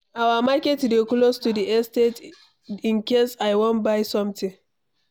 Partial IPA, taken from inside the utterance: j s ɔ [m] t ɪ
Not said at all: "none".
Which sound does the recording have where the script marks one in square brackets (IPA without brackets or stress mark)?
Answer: m